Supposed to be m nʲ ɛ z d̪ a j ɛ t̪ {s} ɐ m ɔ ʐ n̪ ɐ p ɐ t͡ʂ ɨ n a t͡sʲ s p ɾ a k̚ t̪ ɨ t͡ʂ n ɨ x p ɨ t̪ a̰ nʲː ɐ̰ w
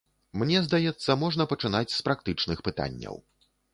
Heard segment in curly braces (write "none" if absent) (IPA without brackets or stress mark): sː